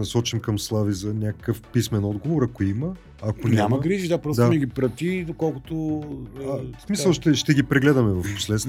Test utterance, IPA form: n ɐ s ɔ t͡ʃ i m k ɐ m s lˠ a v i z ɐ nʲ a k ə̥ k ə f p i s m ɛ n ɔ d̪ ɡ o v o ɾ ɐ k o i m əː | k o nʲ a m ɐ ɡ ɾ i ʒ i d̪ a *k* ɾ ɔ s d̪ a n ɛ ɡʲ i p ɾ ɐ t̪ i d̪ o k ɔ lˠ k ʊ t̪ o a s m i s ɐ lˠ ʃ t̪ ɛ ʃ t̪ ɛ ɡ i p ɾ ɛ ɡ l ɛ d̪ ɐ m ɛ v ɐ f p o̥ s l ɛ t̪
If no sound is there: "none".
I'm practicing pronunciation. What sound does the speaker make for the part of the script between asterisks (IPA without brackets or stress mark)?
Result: p